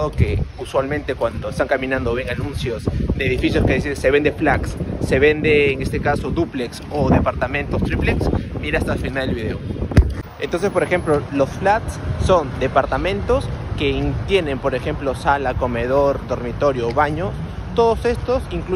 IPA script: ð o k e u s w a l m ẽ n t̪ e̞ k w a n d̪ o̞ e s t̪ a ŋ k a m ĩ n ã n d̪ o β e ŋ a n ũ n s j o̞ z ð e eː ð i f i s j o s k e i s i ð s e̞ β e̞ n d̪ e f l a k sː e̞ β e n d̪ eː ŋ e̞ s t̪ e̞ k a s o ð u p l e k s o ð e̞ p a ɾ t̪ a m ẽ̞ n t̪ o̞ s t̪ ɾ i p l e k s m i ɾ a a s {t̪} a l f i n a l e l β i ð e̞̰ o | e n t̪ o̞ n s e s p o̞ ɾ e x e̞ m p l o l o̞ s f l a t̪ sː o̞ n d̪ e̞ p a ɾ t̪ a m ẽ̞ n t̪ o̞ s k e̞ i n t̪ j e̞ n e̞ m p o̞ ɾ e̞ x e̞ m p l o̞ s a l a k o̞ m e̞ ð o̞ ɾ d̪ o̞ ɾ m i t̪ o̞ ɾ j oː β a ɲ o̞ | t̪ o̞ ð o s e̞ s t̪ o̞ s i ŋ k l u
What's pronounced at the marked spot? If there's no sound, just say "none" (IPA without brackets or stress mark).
t̪